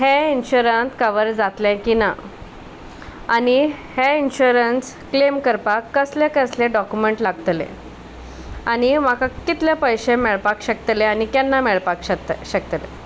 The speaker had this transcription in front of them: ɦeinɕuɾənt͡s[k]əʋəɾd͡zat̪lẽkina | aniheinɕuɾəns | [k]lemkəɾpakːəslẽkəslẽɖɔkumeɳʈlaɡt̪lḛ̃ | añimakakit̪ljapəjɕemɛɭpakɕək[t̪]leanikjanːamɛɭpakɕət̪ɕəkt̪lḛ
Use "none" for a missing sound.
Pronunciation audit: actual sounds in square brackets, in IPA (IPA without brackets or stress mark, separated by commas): k, k, t̪